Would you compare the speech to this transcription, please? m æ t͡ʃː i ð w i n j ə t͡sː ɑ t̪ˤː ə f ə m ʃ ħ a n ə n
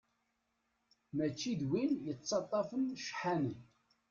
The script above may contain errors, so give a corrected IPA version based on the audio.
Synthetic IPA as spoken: m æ t͡ʃː i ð w i n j ə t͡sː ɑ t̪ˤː ɑ f ə n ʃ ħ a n ə n